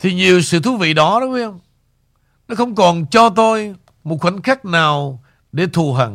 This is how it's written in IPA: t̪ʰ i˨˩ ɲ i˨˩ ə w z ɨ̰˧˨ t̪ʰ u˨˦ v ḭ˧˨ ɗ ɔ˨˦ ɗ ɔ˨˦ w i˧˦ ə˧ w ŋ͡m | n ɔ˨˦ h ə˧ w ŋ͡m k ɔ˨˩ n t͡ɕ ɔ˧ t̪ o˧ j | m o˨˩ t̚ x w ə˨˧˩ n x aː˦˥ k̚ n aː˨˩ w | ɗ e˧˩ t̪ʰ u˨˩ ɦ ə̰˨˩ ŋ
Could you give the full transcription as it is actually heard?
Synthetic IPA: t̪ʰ i˨˩ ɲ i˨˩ ə w s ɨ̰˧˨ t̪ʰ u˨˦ v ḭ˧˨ ɗ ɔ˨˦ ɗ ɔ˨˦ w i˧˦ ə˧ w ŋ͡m | n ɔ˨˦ x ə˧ w ŋ͡m k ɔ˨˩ n t͡ɕ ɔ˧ t̪ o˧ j | m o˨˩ t̚ x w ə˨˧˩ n x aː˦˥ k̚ n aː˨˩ w | ɗ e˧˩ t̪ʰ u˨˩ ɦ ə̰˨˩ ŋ